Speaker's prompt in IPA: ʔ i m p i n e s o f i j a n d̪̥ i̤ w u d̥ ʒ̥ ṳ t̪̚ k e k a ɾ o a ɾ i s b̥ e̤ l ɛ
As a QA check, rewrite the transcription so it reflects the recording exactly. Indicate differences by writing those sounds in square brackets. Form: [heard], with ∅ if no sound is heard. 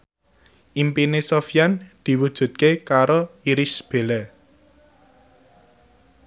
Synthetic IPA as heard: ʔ i m p i n e s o f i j a n d̪̥ i̤ w u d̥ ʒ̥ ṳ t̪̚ k e k a ɾ o [i] ɾ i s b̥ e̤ l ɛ